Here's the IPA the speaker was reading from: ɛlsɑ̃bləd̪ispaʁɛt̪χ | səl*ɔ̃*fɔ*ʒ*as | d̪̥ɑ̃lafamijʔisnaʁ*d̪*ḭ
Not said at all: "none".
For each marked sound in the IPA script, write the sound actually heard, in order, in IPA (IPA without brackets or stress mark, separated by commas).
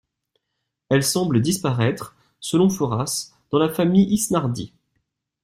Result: ɔ̃, ʁ, d̪